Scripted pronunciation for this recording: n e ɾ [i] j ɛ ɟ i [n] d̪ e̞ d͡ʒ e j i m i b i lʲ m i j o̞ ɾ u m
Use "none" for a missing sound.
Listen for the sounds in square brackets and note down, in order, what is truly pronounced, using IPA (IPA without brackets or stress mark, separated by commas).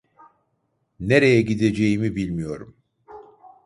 e, none